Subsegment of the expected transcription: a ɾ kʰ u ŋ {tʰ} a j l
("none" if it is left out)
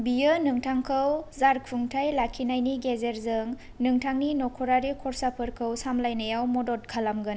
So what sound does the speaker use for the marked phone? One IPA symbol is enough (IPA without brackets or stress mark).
tʰ